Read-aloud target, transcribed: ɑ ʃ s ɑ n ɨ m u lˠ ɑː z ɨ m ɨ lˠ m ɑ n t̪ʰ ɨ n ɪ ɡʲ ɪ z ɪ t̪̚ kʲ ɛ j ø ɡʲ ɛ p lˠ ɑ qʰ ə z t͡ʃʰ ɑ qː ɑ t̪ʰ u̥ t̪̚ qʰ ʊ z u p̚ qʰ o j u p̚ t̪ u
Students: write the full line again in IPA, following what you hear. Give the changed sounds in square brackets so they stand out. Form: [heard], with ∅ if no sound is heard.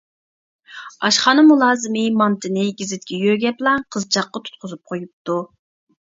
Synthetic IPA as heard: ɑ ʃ [χ] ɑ n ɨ m u lˠ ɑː z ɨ m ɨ [∅] m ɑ n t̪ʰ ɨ n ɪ ɡʲ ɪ z ɪ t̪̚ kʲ ɛ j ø ɡʲ ɛ p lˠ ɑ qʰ ə z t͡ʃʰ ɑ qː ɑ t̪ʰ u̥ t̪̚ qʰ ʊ z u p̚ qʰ o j u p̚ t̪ u